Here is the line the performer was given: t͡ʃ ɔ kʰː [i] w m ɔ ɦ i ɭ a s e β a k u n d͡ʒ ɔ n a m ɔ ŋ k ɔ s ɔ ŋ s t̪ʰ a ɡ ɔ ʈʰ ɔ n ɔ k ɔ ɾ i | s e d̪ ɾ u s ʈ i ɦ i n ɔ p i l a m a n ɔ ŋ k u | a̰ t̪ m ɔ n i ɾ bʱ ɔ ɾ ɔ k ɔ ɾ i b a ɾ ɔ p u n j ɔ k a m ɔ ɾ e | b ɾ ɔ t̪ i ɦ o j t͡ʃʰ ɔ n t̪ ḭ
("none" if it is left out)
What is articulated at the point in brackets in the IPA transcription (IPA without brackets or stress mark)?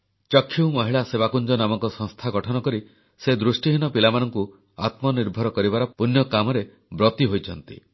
i